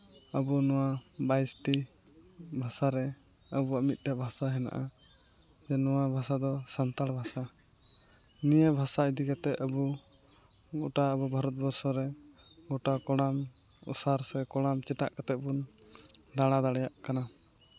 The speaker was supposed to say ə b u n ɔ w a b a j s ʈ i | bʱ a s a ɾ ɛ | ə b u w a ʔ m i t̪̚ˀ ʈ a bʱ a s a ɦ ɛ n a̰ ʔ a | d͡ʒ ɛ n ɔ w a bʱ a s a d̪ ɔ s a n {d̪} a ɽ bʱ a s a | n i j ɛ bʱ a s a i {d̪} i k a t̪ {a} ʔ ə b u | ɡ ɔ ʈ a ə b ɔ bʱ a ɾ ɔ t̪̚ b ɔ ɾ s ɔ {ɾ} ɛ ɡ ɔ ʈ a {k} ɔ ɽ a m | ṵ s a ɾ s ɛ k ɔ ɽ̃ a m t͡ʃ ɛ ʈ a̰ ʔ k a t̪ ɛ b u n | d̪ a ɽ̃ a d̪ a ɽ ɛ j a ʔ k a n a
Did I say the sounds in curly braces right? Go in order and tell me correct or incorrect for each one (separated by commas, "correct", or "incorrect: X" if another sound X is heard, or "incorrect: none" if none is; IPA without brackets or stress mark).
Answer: incorrect: t̪, correct, incorrect: ɛ, correct, correct